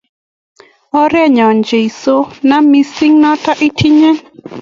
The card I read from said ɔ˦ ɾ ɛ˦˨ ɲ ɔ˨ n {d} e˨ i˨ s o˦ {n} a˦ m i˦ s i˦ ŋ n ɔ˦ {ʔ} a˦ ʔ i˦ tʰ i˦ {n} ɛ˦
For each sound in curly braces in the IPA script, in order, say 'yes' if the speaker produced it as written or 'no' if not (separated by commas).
no, yes, no, no